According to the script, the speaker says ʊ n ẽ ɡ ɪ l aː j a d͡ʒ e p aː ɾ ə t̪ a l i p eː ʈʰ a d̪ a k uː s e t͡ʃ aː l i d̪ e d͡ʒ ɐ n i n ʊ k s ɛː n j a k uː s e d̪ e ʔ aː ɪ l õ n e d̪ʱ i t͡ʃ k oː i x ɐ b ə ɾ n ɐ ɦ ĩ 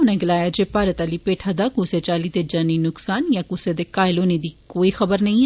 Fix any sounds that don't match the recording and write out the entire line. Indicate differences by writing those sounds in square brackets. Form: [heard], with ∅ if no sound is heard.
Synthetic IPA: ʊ n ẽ ɡ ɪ l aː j a d͡ʒ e p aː ɾ ə t̪ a l i p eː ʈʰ a d̪ a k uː s e t͡ʃ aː l i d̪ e d͡ʒ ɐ n i n ʊ k s [aː] n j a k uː s e d̪ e [k] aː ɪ l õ n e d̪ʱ i [∅] k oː i x ɐ b ə ɾ n ɐ ɦ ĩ